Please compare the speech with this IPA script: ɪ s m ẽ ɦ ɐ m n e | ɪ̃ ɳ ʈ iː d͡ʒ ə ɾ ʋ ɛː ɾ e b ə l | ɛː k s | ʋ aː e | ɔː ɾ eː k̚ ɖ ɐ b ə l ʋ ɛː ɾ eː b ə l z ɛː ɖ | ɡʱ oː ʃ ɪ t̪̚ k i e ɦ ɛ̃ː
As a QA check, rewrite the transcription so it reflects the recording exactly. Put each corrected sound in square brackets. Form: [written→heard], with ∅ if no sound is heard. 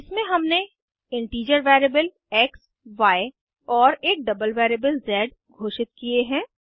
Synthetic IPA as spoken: ɪ s m ẽ ɦ ɐ m n e | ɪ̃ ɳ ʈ iː d͡ʒ ə ɾ ʋ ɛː ɾ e b ə l | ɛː k s | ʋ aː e | ɔː ɾ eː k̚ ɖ ɐ b ə l ʋ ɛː ɾ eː b ə l z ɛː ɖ | ɡʱ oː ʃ ɪ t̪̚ k i e ɦ ɛ̃ː

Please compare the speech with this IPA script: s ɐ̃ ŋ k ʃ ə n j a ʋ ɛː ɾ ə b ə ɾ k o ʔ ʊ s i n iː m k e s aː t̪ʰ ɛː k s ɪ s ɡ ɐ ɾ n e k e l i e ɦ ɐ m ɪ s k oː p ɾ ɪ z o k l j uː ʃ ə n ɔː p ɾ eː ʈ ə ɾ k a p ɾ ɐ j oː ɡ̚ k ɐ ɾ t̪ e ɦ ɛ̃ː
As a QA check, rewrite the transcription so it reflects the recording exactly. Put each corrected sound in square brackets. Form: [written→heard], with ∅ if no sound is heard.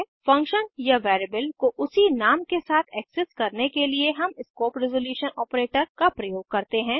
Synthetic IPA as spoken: [s→f] ɐ̃ ŋ k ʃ ə n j a ʋ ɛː ɾ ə b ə [ɾ→l] k o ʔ ʊ s i n [iː→aː] m k e s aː t̪ʰ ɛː k s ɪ s [ɡ→k] ɐ ɾ n e k e l i e ɦ ɐ m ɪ s k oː p ɾ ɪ z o [k→∅] l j uː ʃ ə n ɔː p ɾ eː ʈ ə ɾ k a p ɾ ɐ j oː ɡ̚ k ɐ ɾ t̪ e ɦ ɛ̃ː

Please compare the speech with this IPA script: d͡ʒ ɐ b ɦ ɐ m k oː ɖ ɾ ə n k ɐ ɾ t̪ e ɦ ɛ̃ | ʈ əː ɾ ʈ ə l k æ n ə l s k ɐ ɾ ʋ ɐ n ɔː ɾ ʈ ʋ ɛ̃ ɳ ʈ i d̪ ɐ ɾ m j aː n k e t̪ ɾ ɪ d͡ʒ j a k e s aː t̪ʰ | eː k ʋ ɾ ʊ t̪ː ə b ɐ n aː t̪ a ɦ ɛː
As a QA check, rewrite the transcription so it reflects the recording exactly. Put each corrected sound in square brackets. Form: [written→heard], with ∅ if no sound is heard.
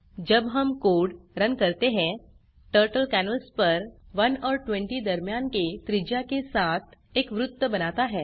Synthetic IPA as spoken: d͡ʒ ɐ b ɦ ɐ m k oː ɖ ɾ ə n k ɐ ɾ t̪ e ɦ ɛ̃ | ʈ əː ɾ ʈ ə l k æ n ə l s [k→p] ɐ ɾ ʋ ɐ n ɔː ɾ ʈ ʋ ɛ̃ ɳ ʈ i d̪ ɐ ɾ m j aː n k e t̪ ɾ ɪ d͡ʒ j a k e s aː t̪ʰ | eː k ʋ ɾ ʊ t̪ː ə b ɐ n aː t̪ a ɦ ɛː

